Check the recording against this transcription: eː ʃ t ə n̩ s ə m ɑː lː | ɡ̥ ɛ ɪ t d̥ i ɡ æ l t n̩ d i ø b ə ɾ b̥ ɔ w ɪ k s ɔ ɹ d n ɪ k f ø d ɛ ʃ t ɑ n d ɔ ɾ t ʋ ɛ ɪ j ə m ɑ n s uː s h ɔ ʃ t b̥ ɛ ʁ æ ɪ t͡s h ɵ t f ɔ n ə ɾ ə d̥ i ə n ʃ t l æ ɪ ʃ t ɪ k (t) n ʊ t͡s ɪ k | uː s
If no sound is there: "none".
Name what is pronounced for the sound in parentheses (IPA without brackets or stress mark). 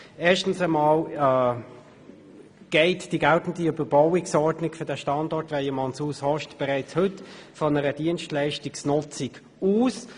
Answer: s